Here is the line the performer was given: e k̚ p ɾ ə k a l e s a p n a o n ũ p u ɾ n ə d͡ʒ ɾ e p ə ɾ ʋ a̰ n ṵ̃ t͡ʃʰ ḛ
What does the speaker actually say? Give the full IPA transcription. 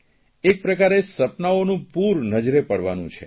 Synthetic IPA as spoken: e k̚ p ɾ ə k a ɾ e s ə p n a o n ũ p u ɾ n ə d͡ʒ ɾ e p ə ɽ ʋ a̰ n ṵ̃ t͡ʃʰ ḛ